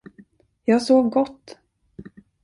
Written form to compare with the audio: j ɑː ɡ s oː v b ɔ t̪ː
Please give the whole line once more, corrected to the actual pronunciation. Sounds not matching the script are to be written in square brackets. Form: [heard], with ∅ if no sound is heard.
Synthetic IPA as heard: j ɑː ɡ s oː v [ɡ] ɔ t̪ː